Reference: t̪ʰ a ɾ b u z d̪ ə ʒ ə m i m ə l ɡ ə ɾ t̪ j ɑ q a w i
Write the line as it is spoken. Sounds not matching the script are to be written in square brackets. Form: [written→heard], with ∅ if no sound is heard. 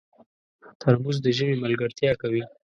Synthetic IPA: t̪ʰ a ɾ [b→m] u z d̪ ə ʒ ə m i m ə l ɡ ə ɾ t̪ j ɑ [q→k] a w i